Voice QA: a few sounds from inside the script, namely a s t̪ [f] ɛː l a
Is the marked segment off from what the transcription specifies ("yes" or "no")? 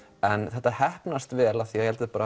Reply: yes